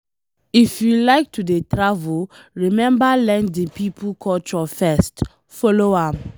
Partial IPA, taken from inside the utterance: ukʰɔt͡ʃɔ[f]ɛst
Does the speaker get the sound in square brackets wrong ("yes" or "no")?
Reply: no